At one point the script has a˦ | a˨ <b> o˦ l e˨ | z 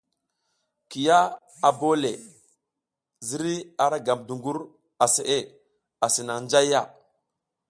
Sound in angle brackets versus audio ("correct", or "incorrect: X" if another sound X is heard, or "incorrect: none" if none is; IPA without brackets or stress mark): correct